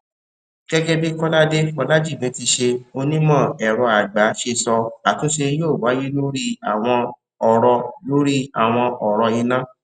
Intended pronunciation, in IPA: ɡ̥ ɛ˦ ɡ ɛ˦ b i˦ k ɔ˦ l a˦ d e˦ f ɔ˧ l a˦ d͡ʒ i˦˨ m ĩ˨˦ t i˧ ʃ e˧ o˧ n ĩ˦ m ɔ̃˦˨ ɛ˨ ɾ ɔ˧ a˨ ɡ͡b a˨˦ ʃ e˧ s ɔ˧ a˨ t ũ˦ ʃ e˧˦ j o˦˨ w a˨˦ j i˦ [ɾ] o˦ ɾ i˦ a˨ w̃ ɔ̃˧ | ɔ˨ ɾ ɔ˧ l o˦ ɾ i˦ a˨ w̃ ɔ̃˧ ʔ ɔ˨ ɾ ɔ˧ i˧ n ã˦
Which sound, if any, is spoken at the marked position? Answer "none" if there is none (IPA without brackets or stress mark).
l